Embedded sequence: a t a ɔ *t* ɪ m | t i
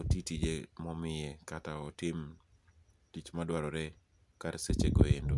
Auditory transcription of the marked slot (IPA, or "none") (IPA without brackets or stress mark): t